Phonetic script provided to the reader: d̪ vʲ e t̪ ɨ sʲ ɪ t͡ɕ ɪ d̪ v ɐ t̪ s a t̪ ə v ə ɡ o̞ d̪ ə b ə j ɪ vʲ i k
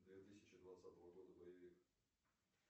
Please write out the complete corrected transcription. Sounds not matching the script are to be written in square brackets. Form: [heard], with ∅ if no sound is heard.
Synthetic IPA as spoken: d̪ vʲ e t̪ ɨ sʲ ɪ t͡ɕ ɪ d̪ v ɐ t̪ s a t̪ ə v ə ɡ o̞ d̪ ə b ə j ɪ vʲ i k